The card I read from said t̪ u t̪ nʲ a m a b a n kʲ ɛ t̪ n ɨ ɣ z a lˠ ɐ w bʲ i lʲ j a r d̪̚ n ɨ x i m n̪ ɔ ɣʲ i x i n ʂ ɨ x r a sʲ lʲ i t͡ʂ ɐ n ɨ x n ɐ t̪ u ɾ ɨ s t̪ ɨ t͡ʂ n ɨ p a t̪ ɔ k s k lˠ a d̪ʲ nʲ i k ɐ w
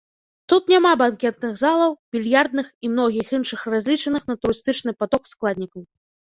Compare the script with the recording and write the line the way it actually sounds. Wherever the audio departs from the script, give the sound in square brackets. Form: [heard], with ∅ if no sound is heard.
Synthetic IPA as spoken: t̪ u t̪ nʲ a m a b a n kʲ ɛ t̪ n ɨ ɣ z a lˠ ɐ w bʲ i lʲ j a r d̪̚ n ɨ x i m n̪ ɔ ɣʲ i x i n ʂ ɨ x r a [zʲ] lʲ i t͡ʂ ɐ n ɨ x n ɐ t̪ u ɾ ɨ s t̪ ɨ t͡ʂ n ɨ p a t̪ ɔ k s k lˠ a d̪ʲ nʲ i k ɐ w